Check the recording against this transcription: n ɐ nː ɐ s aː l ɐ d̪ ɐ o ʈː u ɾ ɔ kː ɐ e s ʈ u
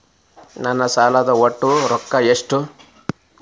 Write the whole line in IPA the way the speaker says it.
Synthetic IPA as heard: n ɐ nː ɐ s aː l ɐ d̪ ɐ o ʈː u ɾ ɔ kː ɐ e ʂ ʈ u

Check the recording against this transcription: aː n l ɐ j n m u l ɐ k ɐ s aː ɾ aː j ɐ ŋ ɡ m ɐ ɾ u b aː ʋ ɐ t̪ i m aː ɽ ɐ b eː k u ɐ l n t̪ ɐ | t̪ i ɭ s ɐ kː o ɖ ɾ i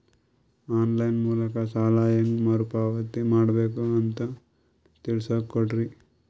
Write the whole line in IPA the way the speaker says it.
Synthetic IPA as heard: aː n l ɐ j n m uː l ɐ k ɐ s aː l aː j ɐ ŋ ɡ m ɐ ɾ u p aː ʋ ɐ t̪ i m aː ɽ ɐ b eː k u ɐ n t̪ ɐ | t̪ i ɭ s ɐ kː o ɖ ɾ i

